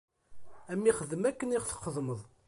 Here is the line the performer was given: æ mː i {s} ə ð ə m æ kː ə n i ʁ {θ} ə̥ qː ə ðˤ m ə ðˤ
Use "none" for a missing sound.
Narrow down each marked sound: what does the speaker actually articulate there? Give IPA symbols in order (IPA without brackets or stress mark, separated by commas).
χ, θ